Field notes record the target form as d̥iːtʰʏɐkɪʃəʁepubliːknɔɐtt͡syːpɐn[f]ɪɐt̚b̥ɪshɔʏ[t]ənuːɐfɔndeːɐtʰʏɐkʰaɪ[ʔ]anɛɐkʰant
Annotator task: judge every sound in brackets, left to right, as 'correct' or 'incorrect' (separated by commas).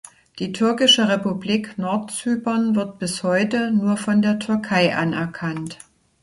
incorrect, correct, correct